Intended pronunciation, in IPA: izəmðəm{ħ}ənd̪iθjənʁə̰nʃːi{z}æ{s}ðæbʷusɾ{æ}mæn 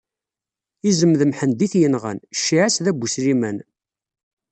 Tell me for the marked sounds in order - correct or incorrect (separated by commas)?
correct, incorrect, correct, incorrect